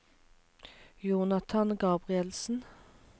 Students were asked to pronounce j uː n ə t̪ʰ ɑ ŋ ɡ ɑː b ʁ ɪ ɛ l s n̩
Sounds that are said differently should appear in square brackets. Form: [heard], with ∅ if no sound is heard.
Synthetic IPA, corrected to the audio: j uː n [ɑ] t̪ʰ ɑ [n] ɡ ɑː b ʁ ɪ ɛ l s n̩